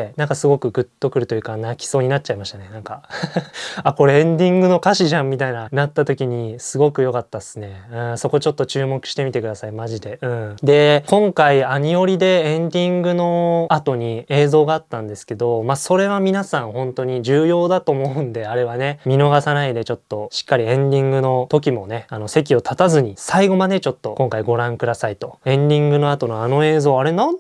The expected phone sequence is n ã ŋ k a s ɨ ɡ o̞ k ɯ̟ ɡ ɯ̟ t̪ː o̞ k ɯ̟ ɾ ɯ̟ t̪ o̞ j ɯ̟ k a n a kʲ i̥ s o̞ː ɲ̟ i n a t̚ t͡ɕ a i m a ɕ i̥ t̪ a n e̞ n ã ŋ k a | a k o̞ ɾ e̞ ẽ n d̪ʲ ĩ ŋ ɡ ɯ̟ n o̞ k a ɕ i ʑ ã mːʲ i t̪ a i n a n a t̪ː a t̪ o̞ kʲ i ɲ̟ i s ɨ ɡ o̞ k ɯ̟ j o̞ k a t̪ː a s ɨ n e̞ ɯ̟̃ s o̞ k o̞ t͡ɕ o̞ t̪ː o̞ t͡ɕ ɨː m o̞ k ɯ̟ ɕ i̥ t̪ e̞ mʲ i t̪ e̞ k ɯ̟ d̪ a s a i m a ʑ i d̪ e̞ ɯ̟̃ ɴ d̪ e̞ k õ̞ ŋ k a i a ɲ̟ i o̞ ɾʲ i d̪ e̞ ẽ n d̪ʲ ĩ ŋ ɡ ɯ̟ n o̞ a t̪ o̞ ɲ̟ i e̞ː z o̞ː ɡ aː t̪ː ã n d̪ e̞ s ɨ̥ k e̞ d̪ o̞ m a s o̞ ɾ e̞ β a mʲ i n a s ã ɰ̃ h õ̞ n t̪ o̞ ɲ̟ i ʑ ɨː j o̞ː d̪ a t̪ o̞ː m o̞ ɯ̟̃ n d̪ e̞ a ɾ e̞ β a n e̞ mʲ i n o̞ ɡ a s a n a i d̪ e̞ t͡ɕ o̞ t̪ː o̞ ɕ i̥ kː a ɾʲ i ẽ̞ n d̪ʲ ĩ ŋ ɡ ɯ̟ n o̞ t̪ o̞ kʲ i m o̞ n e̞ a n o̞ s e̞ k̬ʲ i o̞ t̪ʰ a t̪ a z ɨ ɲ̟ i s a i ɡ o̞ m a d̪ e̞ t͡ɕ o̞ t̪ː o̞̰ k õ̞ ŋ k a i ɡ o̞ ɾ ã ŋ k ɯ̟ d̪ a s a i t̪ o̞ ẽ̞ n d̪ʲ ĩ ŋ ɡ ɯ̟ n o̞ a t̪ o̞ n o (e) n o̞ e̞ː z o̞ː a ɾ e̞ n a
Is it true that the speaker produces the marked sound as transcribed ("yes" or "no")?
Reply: no